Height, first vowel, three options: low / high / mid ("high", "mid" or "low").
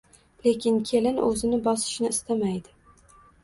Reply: mid